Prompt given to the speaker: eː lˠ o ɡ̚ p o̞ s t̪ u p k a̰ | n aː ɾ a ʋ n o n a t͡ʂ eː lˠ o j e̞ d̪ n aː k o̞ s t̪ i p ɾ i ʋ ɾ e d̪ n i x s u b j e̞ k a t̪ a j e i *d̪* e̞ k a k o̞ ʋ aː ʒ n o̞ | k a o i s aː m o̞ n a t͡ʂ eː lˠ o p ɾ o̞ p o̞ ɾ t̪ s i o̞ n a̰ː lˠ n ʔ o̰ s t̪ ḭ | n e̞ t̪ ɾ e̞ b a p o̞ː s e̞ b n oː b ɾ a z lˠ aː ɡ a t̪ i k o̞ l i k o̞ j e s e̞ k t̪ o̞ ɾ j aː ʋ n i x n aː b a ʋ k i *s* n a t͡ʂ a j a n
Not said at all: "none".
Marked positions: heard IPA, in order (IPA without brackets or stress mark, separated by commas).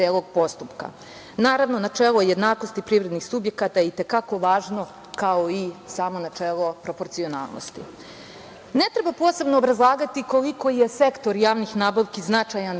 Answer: t̪, z